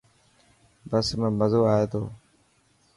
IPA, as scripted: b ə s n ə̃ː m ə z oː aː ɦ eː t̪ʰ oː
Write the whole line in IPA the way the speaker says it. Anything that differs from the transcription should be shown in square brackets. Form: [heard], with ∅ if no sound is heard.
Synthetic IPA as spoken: b ə s [m] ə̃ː m ə z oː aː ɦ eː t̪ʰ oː